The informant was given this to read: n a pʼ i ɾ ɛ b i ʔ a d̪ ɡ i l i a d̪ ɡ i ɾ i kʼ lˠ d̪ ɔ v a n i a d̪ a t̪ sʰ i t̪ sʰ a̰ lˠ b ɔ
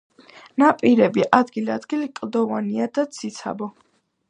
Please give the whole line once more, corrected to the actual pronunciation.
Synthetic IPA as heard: n a pʼ i ɾ ɛ b i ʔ a d̪ ɡ i l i a d̪ ɡ i l i kʼ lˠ d̪ ɔ v a n i a d̪ a t̪ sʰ i t̪ sʰ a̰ b ɔ